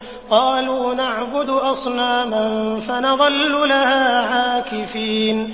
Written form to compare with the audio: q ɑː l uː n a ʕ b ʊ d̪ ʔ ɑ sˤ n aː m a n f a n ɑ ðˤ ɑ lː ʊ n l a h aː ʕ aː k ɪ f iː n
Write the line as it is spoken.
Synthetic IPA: q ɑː l uː n a ʕ b ʊ d̪ ʔ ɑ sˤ n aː m a n f a n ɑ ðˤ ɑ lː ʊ l a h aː ʕ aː k ɪ f iː n